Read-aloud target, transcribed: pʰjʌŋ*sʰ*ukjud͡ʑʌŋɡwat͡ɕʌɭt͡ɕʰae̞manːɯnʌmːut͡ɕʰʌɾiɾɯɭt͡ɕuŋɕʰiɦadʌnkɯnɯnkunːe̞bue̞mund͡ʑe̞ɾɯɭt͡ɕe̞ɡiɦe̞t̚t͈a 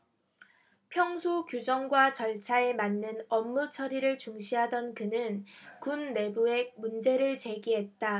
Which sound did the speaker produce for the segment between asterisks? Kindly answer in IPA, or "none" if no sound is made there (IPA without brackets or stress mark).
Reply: sʰ